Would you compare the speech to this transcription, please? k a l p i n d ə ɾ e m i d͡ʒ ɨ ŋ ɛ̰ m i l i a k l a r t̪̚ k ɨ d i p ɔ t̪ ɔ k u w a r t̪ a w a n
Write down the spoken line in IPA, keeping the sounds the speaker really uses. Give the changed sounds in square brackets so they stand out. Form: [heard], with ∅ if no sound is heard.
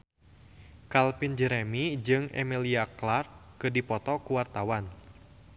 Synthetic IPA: k a l p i n [d͡ʒ] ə ɾ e m i d͡ʒ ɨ ŋ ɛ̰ m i l i a k l a r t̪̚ k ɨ d i p ɔ t̪ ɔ k u w a r t̪ a w a n